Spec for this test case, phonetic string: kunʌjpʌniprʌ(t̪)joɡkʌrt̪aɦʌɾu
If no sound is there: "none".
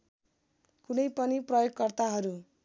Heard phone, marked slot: none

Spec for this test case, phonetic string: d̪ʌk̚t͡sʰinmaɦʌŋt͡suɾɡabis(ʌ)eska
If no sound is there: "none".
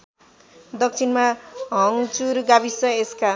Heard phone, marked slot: ʌ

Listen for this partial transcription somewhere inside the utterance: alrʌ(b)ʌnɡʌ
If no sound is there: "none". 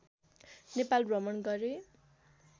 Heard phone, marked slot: m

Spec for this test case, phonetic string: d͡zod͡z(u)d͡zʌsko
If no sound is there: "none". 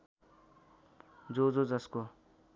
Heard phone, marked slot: o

